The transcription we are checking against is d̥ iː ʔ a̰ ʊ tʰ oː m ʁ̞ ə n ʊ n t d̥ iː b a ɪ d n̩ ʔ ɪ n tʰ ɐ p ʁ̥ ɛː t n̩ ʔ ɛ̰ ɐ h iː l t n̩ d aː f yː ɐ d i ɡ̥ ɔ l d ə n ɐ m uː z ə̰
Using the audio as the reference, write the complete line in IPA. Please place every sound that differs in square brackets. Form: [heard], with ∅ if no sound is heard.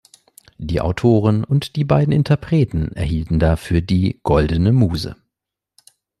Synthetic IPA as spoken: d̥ iː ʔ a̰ ʊ tʰ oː [∅] ʁ̞ ə n ʊ n t d̥ iː b a ɪ d n̩ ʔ ɪ n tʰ ɐ p ʁ̥ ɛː t n̩ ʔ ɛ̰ ɐ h iː l t n̩ d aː f yː ɐ d [iː] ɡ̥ ɔ l d ə n [ə] m uː z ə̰